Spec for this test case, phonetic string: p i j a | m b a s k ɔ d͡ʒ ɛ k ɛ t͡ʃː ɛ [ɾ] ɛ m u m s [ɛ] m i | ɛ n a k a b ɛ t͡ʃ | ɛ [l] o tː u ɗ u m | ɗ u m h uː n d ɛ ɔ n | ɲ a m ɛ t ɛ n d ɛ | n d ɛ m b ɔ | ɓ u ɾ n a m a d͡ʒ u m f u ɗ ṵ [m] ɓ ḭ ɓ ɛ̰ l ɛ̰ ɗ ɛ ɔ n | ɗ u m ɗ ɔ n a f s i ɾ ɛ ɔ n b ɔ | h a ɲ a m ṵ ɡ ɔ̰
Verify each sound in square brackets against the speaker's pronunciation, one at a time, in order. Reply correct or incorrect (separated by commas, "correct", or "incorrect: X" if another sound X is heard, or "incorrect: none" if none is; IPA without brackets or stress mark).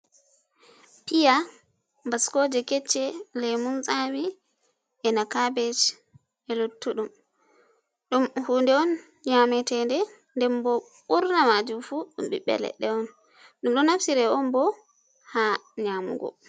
incorrect: l, incorrect: a, correct, correct